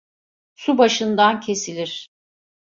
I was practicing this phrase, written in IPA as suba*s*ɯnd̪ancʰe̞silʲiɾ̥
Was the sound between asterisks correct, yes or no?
no